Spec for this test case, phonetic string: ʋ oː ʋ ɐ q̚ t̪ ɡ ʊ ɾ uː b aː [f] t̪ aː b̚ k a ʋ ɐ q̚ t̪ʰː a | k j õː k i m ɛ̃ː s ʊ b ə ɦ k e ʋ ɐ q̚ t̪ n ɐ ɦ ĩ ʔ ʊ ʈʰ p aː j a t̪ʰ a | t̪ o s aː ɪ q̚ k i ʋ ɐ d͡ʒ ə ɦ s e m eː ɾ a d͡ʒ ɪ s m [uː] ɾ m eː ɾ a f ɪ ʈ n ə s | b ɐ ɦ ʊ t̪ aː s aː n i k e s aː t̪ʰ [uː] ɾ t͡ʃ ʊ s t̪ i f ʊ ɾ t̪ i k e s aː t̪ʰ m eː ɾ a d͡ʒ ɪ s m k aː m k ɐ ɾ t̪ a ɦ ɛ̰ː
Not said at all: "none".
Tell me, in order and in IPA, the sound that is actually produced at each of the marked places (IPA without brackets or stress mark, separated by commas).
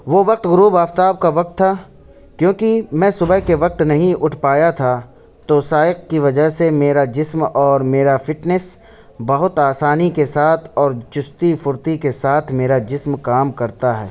f, ɔː, ɔː